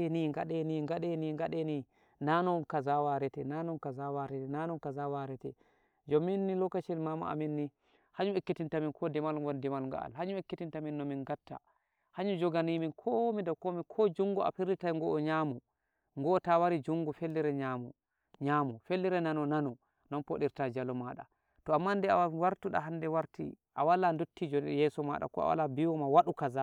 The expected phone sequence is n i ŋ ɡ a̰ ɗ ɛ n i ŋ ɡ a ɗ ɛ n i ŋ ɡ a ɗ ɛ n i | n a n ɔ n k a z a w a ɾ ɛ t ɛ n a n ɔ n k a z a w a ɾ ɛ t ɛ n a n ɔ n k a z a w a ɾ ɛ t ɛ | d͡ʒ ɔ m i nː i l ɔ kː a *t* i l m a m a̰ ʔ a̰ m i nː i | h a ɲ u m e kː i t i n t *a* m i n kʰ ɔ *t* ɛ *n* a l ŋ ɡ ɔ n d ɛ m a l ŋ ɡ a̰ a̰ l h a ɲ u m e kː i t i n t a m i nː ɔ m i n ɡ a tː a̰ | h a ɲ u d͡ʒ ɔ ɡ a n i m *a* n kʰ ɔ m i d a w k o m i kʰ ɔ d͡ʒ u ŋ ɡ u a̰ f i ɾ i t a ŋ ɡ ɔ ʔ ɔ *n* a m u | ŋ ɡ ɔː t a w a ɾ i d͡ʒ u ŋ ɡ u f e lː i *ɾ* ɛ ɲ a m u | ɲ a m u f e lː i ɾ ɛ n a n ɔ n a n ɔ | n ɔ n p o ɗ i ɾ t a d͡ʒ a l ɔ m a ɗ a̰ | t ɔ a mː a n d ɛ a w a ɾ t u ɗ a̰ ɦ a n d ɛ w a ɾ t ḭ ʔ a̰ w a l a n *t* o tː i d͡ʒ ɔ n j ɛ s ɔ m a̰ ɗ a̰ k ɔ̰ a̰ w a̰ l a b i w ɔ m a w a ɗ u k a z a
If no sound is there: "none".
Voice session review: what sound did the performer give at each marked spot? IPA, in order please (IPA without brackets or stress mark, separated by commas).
t͡ʃ, a, d, m, i, ɲ, ɾ, d